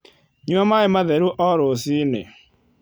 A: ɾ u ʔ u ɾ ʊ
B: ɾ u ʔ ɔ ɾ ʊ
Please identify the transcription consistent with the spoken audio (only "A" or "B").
B